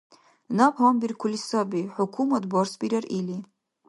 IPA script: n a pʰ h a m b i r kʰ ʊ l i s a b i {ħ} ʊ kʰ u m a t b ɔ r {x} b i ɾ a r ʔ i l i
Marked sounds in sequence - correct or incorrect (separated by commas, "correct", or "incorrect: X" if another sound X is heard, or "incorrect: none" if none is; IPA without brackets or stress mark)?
correct, incorrect: s